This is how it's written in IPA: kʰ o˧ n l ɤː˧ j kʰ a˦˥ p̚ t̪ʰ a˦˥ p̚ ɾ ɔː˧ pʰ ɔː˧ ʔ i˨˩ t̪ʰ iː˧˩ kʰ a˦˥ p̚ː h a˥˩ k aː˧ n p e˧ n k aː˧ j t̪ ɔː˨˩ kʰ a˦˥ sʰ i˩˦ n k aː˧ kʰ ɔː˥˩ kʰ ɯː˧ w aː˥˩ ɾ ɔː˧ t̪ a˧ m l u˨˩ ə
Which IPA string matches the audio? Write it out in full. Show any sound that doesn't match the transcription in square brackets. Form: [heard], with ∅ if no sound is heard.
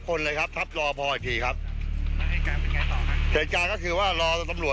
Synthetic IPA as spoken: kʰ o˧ n l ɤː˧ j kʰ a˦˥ p̚ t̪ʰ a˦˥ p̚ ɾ ɔː˧ pʰ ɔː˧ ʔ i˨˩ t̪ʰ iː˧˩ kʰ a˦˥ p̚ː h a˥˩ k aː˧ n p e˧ n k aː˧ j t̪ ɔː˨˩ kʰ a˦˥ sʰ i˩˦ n k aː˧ [k] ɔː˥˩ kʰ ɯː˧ w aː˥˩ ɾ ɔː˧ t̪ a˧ m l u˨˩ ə